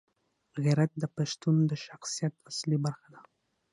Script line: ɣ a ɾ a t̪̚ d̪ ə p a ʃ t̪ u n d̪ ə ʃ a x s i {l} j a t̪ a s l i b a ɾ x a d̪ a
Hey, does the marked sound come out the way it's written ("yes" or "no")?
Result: no